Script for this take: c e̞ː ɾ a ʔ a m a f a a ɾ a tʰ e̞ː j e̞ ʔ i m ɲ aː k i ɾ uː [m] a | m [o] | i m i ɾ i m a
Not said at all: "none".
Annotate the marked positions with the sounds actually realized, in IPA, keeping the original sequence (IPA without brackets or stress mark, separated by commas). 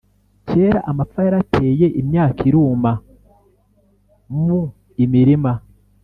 m, u